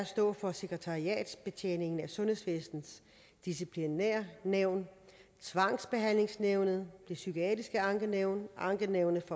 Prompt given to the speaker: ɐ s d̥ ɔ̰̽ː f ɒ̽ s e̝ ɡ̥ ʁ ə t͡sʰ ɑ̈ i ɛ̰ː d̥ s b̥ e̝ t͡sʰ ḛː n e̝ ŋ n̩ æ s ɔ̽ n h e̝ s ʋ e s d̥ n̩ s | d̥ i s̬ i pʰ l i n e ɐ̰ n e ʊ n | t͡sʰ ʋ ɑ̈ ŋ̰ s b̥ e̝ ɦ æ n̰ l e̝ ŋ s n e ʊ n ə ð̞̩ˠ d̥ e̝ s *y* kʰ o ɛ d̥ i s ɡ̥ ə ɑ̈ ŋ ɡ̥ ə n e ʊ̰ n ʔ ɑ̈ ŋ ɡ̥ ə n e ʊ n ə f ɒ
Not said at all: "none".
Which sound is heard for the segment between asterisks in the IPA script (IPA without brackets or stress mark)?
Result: y